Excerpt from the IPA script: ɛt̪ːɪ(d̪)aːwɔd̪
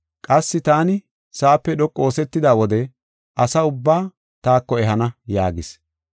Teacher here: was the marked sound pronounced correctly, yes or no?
yes